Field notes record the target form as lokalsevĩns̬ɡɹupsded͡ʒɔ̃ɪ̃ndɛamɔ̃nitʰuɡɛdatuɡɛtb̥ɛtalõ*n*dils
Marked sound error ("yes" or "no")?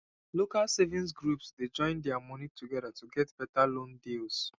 no